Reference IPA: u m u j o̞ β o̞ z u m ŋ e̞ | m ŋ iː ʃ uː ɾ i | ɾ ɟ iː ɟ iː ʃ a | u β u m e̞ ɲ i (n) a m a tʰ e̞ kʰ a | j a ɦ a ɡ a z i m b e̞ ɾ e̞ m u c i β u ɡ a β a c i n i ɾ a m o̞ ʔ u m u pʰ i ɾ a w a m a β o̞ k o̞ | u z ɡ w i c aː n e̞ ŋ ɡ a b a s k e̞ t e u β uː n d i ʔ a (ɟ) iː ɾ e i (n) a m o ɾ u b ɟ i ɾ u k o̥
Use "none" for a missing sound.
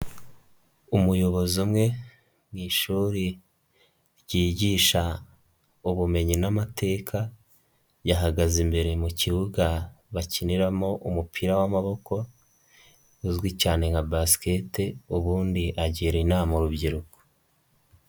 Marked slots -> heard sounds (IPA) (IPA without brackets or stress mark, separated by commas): n, ɟ, n